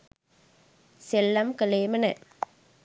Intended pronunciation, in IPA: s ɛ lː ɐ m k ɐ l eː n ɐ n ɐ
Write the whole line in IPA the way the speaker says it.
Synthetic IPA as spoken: s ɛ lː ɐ m k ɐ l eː m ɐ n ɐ